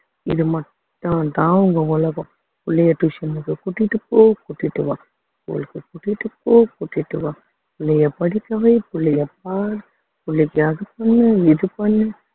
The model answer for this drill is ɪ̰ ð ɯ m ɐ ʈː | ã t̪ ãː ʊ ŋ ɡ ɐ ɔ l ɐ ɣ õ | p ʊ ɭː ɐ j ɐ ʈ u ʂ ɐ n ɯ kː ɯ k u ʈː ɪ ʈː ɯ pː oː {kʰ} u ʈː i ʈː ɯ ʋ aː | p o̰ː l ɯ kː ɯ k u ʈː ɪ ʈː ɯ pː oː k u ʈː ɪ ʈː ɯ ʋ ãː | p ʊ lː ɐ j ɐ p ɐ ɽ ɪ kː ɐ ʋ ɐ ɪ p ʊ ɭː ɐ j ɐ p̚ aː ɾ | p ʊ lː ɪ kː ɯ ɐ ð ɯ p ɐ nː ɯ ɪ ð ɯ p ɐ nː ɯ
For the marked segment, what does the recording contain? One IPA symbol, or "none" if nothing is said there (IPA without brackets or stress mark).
k